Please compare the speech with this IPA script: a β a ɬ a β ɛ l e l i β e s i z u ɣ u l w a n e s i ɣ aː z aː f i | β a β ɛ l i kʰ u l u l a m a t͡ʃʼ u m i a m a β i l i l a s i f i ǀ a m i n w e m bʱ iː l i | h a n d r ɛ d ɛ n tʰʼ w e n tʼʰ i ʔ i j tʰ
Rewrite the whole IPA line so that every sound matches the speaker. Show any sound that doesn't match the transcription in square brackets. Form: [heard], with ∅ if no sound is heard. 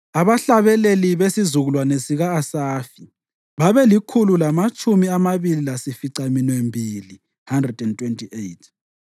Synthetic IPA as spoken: a β a ɬ a β ɛ l e l i β e s i z u ɣ u l w a n e s i ɣ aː [s] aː f i | β a β ɛ l i kʰ u l u l a m a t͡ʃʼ u m i a m a β i l i l a s i f i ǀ a m i n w e m bʱ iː l i | h a n d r ɛ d ɛ n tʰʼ w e n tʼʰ i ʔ [e] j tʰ